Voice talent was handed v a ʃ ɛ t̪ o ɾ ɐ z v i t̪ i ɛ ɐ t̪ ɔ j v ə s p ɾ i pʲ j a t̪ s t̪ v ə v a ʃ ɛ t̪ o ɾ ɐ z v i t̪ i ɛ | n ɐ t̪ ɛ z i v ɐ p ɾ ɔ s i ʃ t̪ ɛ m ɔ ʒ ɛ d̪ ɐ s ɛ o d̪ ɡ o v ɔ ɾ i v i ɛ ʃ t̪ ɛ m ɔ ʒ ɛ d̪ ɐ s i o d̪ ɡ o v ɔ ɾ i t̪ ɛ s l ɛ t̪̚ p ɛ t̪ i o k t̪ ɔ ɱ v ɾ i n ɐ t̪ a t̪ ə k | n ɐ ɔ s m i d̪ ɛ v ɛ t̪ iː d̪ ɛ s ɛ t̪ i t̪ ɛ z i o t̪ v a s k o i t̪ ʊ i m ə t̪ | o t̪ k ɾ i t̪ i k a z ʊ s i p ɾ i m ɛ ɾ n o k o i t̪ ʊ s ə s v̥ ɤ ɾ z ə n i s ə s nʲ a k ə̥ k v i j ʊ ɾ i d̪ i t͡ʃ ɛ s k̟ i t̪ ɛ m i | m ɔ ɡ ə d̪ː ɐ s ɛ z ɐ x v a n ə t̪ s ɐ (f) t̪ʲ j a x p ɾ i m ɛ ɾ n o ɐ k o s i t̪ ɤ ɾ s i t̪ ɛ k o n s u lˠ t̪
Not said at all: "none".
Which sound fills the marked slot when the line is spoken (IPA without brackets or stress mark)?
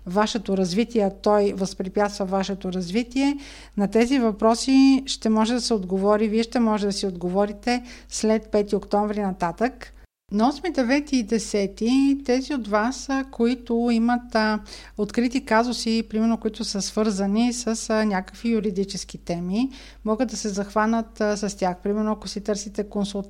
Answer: s